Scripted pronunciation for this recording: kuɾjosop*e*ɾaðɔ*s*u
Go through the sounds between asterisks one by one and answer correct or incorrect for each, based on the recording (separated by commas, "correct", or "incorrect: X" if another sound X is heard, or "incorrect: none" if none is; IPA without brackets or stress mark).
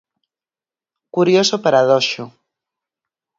incorrect: a, incorrect: ʃ